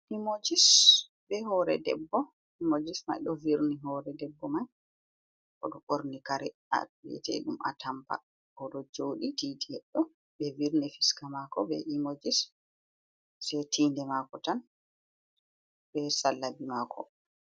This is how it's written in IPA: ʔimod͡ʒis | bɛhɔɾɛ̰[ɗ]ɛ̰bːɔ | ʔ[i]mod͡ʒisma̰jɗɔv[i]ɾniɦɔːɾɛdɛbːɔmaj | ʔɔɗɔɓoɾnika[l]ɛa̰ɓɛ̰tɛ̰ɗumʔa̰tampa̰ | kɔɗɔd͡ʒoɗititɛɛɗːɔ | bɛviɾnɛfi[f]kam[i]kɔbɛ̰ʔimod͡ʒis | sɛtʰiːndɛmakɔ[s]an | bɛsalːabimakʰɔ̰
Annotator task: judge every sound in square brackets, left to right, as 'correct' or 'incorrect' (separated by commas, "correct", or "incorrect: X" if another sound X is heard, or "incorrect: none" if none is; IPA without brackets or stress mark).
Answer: incorrect: d, correct, correct, incorrect: ɾ, incorrect: s, incorrect: a, incorrect: t